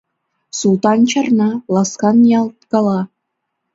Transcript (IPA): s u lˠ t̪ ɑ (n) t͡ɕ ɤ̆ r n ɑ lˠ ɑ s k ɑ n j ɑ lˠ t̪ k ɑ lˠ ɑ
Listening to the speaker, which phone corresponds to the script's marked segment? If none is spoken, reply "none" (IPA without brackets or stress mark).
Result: n